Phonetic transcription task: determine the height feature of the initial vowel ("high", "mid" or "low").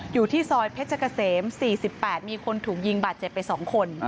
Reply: high